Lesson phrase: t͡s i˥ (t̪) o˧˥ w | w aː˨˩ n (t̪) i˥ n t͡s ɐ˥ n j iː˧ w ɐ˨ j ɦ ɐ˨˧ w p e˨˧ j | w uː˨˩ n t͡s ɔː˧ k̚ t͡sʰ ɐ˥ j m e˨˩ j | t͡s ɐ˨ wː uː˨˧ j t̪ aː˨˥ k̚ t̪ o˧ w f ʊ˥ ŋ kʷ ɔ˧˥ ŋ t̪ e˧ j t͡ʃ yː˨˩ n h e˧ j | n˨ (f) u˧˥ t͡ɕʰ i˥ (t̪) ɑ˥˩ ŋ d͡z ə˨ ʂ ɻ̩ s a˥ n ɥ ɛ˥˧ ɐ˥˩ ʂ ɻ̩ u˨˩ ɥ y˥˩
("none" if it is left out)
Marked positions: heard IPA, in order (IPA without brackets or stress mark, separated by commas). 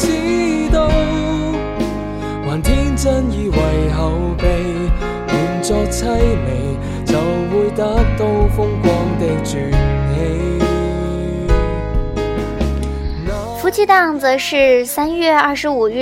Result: t̪, t̪ʰ, f, t̪